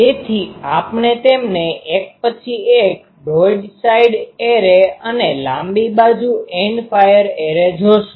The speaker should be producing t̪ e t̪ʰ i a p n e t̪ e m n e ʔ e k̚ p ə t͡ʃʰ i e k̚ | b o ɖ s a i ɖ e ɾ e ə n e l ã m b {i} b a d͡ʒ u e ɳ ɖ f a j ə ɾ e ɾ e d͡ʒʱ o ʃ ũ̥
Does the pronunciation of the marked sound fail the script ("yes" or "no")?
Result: no